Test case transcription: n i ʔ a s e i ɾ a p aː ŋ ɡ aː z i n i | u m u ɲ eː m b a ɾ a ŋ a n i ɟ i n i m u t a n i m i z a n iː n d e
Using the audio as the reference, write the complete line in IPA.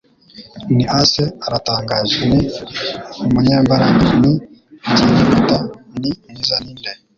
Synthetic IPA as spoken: n i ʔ a s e a ɾ a t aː ŋ ɡ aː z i n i | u m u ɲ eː m b a ɾ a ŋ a n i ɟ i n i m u t a n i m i z a n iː n d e